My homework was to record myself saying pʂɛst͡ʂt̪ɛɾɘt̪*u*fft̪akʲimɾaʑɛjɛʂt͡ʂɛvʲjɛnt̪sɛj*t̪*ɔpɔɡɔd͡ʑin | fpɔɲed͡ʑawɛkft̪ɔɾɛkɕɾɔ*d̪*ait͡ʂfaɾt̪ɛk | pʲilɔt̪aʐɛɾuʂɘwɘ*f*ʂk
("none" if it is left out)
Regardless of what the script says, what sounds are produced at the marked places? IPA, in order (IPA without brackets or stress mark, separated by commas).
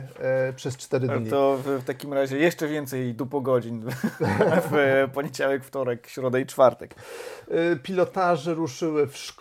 ɔ, d̪, d̪, f